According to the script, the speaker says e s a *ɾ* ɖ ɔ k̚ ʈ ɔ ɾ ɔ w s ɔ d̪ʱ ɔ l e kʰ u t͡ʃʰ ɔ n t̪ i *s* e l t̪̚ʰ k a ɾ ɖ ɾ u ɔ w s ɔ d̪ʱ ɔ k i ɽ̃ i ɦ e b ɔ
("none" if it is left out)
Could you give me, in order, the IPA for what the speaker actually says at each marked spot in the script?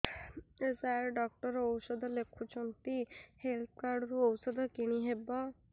ɾ, h

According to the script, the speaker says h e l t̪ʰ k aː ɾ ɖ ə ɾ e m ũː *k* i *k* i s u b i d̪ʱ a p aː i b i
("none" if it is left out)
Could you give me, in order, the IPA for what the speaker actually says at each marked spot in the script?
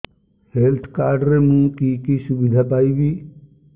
k, k

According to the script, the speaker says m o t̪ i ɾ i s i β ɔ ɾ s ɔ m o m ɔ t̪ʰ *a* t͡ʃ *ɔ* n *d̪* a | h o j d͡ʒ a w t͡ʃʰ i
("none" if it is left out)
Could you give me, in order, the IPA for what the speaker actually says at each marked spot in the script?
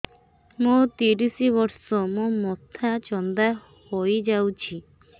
a, ɔ, d̪

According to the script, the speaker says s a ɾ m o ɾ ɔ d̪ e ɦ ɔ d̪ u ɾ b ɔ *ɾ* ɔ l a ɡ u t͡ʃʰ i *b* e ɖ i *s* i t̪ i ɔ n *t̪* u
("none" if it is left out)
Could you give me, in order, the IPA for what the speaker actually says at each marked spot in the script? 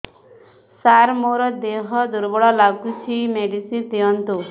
ɭ, m, s, t̪

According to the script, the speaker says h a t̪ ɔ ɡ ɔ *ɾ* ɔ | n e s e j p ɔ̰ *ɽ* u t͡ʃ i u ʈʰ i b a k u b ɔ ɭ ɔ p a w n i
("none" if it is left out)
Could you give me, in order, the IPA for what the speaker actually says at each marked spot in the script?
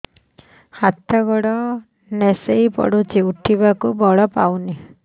ɽ, ɽ

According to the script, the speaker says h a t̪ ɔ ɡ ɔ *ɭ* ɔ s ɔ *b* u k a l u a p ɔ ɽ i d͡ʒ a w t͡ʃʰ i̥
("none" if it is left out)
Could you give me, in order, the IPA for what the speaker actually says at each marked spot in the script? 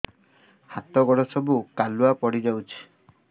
ɽ, b

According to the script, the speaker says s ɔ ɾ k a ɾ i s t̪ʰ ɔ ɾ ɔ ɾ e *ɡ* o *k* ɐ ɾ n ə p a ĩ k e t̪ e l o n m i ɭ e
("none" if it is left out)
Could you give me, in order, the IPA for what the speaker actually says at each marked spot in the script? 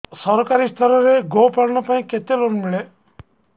ɡ, p

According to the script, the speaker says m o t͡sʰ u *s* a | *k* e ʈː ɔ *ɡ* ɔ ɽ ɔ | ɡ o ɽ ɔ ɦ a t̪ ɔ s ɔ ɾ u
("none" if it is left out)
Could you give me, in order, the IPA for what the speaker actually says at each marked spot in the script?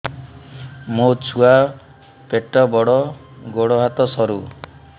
none, p, b

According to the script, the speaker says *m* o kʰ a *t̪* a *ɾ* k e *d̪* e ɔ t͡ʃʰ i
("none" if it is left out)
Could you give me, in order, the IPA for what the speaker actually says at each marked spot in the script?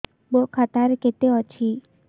b, t̪, ɾ, t̪

